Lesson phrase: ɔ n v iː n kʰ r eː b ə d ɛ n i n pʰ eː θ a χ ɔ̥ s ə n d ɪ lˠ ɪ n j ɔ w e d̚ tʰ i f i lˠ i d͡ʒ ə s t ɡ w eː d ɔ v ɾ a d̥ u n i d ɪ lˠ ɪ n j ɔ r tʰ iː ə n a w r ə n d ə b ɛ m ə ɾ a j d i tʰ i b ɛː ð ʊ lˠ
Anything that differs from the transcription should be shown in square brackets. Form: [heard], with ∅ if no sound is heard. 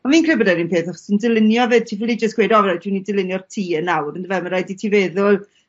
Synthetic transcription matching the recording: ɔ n v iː n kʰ r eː b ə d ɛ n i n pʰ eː θ a χ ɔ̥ s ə n d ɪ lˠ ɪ n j ɔ [v] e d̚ tʰ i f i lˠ i d͡ʒ ə s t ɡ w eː d ɔ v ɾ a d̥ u n i d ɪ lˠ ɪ n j ɔ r tʰ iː ə n a w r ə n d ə [v] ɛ m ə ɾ a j d i tʰ i [v] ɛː ð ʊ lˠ